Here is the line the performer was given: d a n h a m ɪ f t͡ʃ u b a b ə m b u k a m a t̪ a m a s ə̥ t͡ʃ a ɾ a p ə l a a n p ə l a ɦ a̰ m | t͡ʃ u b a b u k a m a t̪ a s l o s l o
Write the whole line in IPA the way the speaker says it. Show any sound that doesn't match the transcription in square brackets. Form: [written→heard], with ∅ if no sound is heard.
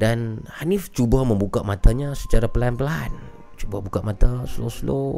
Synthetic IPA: d a n h a [m→n] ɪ f t͡ʃ u b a [b→m] ə m b u k a m a t̪ a [m→ɲ] a s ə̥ t͡ʃ a ɾ a p ə l a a n p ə l a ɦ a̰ [m→n] | t͡ʃ u b a b u k a m a t̪ a s l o s l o